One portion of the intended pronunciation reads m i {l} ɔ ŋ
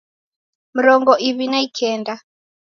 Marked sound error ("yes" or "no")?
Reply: yes